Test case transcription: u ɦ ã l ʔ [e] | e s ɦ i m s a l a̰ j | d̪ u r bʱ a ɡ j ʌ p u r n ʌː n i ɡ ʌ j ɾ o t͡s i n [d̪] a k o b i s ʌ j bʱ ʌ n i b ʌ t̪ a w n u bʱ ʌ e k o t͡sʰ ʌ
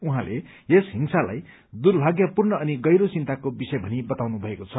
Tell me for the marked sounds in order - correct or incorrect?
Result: correct, incorrect: t̪

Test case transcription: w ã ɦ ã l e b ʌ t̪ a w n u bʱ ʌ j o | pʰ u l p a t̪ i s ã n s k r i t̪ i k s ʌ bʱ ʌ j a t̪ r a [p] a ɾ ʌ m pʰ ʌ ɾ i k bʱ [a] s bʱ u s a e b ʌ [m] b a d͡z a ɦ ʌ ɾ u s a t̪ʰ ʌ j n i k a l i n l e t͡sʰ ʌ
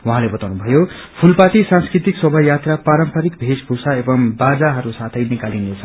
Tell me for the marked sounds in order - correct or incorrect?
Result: correct, incorrect: e, correct

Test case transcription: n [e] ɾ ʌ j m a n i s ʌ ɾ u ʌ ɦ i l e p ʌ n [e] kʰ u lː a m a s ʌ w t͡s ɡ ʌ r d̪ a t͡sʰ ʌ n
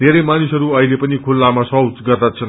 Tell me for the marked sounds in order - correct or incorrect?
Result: correct, incorrect: i

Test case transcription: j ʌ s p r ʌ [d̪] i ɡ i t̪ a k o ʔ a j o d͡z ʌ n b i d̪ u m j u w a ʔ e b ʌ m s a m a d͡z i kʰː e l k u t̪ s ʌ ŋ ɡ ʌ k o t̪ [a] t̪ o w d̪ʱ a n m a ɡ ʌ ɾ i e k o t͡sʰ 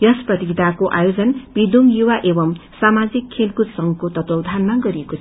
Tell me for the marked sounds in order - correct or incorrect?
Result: incorrect: t̪, incorrect: ʌ

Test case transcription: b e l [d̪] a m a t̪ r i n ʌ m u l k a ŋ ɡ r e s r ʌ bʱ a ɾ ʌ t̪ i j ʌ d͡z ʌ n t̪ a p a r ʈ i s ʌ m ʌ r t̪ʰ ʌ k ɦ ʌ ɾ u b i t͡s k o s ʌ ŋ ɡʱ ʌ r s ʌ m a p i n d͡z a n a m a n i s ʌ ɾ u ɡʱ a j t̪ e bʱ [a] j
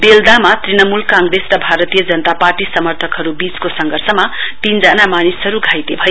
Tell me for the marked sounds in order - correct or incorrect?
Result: correct, incorrect: ʌ

